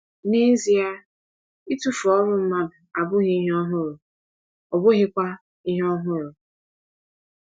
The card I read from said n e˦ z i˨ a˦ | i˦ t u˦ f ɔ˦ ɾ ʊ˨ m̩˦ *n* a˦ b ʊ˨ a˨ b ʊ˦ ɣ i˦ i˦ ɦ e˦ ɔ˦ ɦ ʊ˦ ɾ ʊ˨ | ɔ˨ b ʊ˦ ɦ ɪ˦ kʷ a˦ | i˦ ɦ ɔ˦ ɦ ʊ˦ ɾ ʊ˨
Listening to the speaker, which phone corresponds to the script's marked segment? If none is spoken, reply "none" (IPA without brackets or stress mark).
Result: m